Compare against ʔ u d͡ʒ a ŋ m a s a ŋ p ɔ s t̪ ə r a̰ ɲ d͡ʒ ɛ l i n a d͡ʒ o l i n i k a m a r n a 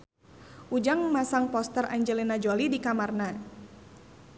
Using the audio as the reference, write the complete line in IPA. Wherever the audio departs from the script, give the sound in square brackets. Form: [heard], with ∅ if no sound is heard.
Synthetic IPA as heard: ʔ u d͡ʒ a ŋ m a s a ŋ p ɔ s t̪ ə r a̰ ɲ d͡ʒ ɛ l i n a d͡ʒ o l i [d] i k a m a r n a